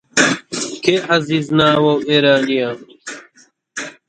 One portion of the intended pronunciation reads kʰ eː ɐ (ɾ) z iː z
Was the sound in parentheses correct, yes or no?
no